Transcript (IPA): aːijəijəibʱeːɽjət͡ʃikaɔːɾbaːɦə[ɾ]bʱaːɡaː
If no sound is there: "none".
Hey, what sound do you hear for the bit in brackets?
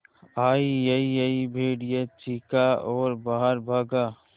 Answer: ɾ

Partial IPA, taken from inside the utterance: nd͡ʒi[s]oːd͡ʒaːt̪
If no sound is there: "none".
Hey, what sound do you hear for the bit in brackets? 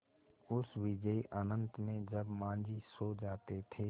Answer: s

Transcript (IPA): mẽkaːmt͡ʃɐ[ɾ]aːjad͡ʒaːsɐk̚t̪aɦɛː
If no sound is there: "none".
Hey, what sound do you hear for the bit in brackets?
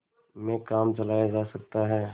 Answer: l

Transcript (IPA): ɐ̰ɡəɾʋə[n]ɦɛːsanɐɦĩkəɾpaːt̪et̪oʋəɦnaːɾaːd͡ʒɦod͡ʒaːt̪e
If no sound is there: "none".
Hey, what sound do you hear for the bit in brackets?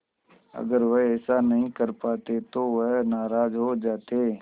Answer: none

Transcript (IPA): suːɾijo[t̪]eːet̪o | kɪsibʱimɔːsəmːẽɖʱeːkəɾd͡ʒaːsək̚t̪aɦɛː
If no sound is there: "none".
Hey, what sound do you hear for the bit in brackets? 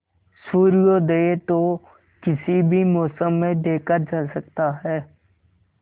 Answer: d̪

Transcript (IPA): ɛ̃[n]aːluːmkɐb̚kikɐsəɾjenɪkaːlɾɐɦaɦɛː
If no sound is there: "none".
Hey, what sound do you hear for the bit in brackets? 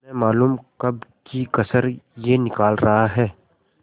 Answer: m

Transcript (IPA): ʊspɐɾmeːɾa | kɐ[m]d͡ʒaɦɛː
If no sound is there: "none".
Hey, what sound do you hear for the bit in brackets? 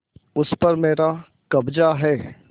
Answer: b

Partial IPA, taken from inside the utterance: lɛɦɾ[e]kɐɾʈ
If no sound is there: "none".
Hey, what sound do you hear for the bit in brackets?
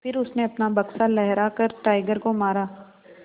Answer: a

